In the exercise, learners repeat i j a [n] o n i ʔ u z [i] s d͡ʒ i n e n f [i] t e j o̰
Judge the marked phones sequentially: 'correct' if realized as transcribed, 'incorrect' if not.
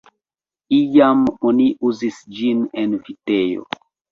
incorrect: m, correct, correct

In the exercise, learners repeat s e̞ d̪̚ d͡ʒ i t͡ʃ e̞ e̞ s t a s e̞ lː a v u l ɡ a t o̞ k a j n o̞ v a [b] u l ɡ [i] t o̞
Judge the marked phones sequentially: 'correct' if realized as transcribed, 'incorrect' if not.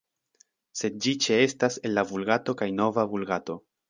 incorrect: v, incorrect: a

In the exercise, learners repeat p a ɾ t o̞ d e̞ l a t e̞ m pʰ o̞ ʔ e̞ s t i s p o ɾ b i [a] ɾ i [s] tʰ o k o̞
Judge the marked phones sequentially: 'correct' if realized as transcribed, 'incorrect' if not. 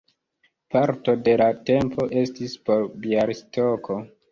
correct, correct

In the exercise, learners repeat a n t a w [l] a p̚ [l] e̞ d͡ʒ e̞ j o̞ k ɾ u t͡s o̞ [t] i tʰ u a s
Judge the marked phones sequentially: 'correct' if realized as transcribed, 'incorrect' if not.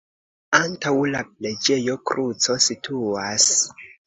correct, correct, incorrect: s

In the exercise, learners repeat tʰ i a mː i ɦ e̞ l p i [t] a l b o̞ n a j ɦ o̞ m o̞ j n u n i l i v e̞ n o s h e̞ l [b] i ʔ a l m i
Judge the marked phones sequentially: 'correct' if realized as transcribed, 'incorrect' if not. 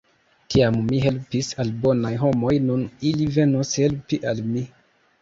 incorrect: s, incorrect: p

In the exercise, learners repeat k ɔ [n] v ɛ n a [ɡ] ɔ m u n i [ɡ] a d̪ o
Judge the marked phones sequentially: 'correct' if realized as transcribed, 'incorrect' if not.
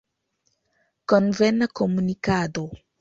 correct, incorrect: k, incorrect: k

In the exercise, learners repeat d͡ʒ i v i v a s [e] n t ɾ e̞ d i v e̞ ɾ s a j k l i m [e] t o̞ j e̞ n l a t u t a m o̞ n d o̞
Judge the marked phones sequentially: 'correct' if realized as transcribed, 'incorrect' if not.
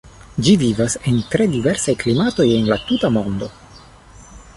correct, incorrect: a

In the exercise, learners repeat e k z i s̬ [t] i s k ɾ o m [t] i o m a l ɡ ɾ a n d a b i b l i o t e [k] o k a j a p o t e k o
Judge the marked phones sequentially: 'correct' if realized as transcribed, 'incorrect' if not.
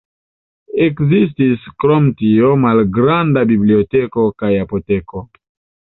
correct, correct, correct

